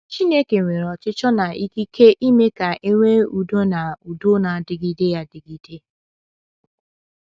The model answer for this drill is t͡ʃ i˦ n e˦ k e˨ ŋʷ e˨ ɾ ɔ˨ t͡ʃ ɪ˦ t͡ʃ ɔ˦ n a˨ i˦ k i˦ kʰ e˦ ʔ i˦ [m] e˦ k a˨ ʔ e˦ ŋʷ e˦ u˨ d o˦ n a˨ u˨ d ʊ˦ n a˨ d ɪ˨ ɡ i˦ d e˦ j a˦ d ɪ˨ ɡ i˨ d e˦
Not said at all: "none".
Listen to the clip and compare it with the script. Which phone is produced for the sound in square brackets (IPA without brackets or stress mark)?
m